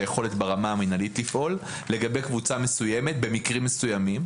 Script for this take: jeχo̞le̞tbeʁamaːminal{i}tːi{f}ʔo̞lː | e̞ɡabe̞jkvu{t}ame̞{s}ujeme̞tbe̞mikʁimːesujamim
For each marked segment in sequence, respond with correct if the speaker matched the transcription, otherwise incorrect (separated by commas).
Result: correct, correct, incorrect, correct